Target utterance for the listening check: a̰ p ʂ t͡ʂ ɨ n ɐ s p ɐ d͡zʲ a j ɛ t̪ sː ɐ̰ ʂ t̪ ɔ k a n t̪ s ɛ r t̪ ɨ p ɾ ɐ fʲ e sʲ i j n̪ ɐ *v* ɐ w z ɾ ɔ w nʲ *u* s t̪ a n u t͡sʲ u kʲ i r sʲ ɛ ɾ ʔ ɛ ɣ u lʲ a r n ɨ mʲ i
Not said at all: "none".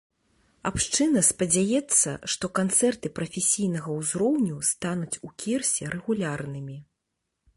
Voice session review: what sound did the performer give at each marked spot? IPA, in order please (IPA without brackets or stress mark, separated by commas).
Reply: ɣ, u